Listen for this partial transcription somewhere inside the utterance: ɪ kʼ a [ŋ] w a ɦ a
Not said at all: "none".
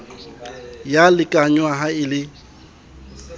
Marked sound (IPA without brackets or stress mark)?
ɲ